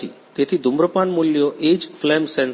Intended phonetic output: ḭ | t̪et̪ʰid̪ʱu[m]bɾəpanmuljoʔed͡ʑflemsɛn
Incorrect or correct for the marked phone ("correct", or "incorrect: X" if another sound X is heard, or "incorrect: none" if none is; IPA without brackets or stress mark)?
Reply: correct